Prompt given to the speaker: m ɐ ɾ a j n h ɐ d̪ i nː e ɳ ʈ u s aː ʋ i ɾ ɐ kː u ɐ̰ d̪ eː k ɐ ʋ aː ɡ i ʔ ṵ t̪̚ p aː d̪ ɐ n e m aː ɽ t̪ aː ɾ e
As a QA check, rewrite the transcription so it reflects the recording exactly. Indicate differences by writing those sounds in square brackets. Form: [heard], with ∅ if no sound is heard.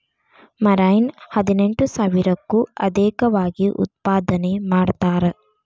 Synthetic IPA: m ɐ ɾ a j n h ɐ d̪ i [n] e ɳ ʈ u s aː ʋ i ɾ ɐ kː u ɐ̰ d̪ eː k ɐ ʋ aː ɡ i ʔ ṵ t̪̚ p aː d̪ ɐ n e m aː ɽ t̪ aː ɾ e